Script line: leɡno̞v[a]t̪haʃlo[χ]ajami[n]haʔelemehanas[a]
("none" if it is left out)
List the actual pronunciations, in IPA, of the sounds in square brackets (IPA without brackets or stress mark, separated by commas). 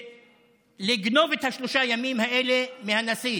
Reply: e, ʃ, m, i